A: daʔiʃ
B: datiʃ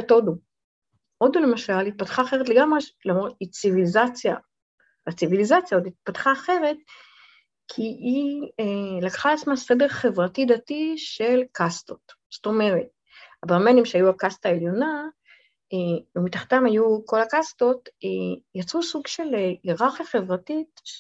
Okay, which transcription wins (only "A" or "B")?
B